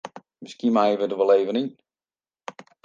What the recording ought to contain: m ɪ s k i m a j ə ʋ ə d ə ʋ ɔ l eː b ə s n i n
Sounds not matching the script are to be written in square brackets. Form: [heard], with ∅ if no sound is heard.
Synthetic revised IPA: m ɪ s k i m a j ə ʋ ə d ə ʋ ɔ l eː [v] ə [∅] n i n